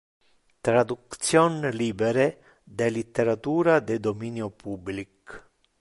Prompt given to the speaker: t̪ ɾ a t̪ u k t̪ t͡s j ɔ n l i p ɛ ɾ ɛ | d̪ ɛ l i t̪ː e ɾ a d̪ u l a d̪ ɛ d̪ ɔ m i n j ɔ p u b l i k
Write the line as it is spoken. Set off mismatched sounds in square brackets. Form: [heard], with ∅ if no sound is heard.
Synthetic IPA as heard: t̪ ɾ a [d̪] u k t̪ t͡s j ɔ n l i [b] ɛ ɾ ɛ | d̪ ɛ l i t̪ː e ɾ a [t̪] u [ɾ] a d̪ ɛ d̪ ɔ m i n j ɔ p u b l i k